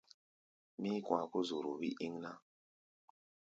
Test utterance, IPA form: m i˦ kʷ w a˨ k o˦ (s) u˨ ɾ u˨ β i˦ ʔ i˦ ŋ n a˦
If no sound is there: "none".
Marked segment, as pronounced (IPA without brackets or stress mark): z